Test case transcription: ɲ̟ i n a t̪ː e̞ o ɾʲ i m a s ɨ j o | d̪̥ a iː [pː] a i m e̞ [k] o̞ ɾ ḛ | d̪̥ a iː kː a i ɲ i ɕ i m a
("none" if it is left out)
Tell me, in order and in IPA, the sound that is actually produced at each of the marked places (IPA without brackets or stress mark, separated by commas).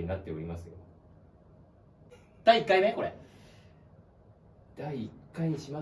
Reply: kː, k